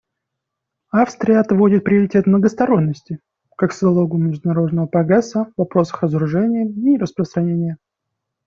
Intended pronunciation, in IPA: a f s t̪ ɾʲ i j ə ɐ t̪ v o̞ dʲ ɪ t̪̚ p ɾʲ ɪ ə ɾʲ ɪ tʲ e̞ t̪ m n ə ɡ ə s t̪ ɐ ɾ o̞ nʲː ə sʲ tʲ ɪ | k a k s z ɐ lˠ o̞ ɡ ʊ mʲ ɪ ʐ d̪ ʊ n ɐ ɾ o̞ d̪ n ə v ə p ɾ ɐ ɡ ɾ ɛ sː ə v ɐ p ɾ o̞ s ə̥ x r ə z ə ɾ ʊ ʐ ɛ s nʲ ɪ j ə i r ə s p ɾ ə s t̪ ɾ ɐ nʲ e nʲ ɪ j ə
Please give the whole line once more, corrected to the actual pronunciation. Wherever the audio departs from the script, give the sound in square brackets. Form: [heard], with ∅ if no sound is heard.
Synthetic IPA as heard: a f s t̪ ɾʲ [ɪ] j ə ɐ t̪ v o̞ dʲ ɪ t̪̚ p ɾʲ ɪ ə ɾʲ ɪ tʲ e̞ t̪ m n ə ɡ ə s t̪ ɐ ɾ o̞ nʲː ə sʲ tʲ ɪ | k a k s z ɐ lˠ o̞ ɡ ʊ mʲ ɪ ʐ d̪ ʊ n ɐ ɾ o̞ d̪ n ə v ə p ɾ ɐ ɡ ɾ ɛ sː ə v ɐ p ɾ o̞ s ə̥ x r ə z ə ɾ ʊ ʐ ɛ [∅] nʲ ɪ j ə i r ə s p ɾ ə s t̪ ɾ ɐ nʲ e nʲ ɪ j ə